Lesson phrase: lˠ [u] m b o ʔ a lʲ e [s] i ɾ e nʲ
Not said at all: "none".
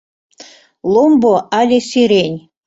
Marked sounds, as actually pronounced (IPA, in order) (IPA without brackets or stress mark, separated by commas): o, s